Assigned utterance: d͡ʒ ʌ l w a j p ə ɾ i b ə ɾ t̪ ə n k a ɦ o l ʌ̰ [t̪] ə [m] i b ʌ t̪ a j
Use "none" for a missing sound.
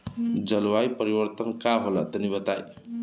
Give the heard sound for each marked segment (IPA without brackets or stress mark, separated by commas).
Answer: t̪, n